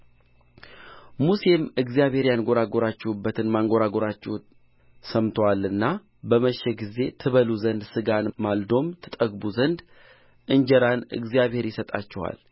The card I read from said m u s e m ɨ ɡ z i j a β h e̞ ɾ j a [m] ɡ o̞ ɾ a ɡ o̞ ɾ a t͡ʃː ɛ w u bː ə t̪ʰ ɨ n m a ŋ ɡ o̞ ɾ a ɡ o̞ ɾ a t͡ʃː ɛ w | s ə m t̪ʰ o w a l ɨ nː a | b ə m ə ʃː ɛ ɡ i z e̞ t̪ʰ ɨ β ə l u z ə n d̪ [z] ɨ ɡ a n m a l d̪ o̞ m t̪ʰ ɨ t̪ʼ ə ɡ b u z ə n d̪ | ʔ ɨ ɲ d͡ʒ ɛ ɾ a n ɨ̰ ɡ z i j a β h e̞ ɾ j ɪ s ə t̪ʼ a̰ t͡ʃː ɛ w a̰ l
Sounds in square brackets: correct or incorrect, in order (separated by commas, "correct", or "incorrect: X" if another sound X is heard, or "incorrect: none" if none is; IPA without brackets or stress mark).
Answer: incorrect: n, incorrect: s